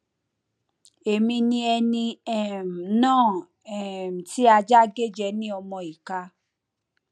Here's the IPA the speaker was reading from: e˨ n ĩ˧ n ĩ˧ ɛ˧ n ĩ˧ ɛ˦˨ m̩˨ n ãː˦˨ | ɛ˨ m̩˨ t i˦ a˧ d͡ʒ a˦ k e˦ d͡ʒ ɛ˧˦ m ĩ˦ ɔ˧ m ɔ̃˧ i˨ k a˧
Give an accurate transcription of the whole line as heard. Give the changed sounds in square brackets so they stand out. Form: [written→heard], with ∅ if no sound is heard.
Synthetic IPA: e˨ [n→m] ĩ˧ n ĩ˧ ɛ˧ n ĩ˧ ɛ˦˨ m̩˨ n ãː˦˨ | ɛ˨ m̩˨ t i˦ a˧ d͡ʒ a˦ [k→ɡ] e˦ d͡ʒ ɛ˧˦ [m→n] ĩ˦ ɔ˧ m ɔ̃˧ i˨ k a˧